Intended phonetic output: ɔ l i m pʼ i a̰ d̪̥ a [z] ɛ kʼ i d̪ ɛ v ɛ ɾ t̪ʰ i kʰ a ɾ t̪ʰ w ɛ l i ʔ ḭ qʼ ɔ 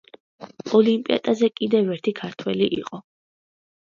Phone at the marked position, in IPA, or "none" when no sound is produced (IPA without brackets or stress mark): z